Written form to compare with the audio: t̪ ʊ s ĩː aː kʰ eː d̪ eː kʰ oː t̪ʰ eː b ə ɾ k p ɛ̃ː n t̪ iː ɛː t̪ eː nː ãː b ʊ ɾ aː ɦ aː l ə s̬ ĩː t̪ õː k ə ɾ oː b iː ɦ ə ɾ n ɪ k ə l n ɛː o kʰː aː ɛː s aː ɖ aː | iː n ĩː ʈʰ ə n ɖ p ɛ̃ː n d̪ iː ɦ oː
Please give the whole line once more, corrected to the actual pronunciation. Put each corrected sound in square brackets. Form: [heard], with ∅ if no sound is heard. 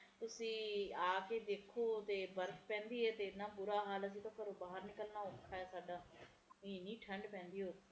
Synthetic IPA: t̪ ʊ s ĩː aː [k] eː d̪ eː kʰ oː [t̪] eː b ə ɾ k p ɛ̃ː n [d̪] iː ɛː t̪ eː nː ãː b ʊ ɾ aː ɦ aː l ə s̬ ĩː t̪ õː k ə ɾ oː b [aː] ɦ ə ɾ n ɪ k ə l n [aː] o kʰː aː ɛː s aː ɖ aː | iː n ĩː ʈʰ ə [ɳ] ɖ p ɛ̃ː n d̪ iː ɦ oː